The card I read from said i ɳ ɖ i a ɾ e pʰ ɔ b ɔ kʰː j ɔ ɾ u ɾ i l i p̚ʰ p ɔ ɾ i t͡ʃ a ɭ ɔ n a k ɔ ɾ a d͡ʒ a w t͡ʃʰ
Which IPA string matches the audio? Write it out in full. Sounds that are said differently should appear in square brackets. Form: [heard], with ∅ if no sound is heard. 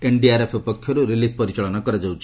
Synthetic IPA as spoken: [e] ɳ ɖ i a ɾ e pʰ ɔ [p] ɔ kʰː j ɔ ɾ u ɾ i l i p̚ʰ p ɔ ɾ i t͡ʃ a ɭ ɔ n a k ɔ ɾ a d͡ʒ a w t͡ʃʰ